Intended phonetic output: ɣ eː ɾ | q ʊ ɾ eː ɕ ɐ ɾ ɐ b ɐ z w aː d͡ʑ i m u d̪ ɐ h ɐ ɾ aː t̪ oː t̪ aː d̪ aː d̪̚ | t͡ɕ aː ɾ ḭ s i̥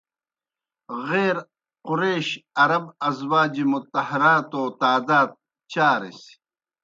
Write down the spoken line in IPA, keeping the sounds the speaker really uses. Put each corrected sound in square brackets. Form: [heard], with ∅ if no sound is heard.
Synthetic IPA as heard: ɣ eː ɾ | q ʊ ɾ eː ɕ ɐ ɾ ɐ b ɐ z w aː d͡ʑ i m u [t̪] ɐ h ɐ ɾ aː t̪ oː t̪ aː d̪ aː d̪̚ | t͡ɕ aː ɾ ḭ s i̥